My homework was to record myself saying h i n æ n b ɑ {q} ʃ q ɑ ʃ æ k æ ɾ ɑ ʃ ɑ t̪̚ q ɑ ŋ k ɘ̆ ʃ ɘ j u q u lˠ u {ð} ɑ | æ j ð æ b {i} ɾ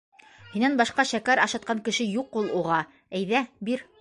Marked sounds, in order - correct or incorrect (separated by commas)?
incorrect, incorrect, correct